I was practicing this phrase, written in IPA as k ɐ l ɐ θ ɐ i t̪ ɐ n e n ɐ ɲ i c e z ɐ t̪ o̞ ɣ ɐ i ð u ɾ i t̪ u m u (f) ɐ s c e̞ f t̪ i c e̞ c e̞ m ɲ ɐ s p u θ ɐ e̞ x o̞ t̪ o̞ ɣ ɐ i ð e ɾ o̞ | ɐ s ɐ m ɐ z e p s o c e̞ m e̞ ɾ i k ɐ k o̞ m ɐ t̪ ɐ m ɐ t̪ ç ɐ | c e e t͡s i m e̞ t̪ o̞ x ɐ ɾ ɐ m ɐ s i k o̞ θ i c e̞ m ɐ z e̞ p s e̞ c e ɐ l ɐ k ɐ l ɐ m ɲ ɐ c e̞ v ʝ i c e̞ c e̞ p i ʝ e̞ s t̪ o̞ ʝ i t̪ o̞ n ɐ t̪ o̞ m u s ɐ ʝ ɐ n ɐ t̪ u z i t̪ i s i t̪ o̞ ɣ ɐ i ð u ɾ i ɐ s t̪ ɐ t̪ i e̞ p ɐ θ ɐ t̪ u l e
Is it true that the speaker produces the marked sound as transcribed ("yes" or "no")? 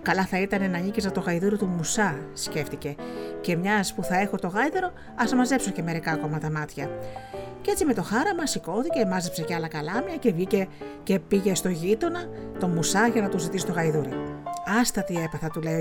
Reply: no